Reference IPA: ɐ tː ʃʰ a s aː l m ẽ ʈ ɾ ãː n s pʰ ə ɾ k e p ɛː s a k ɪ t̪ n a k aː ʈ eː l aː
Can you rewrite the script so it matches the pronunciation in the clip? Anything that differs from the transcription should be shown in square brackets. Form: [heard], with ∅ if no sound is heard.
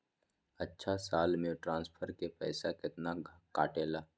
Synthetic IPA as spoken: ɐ tː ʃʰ a s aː l m ẽ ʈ ɾ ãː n s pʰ ə ɾ k e p ɛː s a k ɪ t̪ n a k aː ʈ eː l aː